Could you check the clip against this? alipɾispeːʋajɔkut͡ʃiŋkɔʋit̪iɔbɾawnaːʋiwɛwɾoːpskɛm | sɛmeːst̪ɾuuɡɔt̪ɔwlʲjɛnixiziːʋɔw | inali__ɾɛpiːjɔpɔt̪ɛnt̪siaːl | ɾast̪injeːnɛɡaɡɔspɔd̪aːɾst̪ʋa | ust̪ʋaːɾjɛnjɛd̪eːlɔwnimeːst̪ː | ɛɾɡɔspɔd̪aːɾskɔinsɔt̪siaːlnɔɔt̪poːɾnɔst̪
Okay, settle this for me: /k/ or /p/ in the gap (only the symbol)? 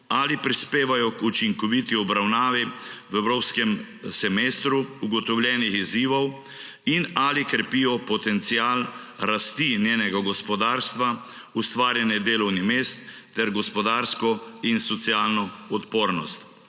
k